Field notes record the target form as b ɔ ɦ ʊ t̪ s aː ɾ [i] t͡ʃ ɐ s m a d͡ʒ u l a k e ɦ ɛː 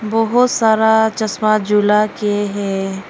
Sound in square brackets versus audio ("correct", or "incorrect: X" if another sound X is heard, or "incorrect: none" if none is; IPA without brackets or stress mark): incorrect: a